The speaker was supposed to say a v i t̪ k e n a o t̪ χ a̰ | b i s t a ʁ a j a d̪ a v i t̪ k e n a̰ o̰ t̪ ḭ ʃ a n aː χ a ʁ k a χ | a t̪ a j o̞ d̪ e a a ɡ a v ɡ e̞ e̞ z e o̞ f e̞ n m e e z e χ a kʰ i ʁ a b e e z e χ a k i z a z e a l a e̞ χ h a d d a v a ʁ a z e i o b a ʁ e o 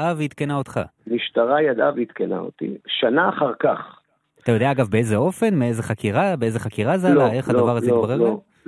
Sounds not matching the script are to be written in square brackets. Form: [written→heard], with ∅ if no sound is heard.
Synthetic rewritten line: a v i t̪ k e n a o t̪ χ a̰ | [b→m] i [s→ʃ] t a ʁ a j a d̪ a v i t̪ k e n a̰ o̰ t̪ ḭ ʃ a n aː χ a ʁ k a χ | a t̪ a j o̞ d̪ e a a ɡ a v [ɡ→b] e̞ e̞ z e o̞ f e̞ n m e e z e χ a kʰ i ʁ a b e e z e χ a k i [z→ʁ] a z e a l a e̞ χ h a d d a v a ʁ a z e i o b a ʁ e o